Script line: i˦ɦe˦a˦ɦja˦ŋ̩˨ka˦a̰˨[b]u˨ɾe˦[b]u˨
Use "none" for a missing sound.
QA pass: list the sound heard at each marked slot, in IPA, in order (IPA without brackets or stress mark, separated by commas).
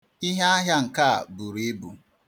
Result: b, b